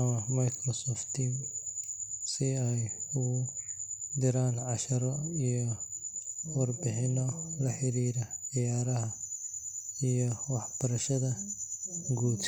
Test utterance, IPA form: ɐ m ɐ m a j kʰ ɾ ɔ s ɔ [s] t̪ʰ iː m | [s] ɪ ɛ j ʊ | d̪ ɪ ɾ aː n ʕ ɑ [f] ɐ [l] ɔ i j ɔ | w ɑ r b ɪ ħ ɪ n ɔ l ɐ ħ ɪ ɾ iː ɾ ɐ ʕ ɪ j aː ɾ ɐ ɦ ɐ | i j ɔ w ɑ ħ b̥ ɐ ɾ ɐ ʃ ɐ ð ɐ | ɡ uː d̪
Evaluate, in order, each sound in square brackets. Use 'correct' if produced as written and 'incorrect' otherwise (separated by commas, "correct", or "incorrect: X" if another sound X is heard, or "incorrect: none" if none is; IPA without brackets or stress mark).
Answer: incorrect: f, correct, incorrect: ʃ, incorrect: ɾ